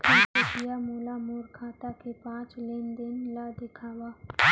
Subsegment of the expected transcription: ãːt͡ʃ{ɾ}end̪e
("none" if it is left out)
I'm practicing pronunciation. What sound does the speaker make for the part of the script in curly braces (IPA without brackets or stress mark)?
l